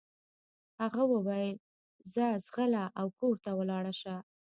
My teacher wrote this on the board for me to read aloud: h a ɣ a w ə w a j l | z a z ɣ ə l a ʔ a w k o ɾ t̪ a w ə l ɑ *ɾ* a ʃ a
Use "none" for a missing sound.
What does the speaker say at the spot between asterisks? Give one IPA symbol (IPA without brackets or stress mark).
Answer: ɽ